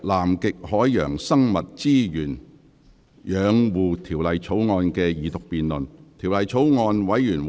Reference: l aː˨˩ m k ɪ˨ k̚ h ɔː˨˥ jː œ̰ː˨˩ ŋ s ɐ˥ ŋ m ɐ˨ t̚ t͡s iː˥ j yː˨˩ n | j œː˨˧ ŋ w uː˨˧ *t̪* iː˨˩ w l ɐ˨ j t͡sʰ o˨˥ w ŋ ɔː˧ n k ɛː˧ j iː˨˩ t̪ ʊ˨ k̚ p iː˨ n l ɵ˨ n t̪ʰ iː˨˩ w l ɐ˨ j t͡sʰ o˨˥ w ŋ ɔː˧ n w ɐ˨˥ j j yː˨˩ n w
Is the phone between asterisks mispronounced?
yes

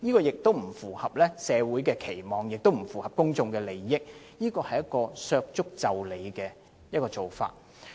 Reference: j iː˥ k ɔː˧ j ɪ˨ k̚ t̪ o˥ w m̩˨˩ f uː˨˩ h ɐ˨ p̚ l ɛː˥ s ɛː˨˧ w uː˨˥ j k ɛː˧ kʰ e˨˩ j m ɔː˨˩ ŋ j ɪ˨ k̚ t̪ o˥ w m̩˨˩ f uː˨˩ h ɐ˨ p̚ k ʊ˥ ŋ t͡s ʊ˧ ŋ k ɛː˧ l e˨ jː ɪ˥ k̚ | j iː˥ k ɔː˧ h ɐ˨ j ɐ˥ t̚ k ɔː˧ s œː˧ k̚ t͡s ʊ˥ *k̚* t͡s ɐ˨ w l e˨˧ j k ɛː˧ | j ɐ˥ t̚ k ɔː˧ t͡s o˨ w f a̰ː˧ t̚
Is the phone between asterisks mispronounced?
no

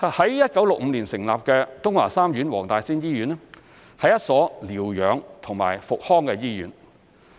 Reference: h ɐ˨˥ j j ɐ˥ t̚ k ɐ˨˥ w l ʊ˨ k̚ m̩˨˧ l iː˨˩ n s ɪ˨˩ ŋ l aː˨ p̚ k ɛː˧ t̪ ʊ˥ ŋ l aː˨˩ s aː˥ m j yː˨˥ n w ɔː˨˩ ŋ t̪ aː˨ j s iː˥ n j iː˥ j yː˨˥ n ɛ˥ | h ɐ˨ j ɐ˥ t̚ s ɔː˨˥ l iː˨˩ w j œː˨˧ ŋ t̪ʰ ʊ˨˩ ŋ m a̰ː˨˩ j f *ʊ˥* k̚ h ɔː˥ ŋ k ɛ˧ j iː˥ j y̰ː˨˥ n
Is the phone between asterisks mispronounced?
yes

